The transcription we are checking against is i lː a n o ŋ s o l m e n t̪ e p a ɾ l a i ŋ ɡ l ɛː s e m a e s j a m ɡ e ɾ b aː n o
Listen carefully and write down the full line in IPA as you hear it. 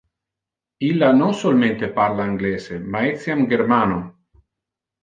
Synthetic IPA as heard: i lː a n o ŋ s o l m e n t̪ e p a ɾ l a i ŋ ɡ l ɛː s e m a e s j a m ɡ e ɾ m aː n o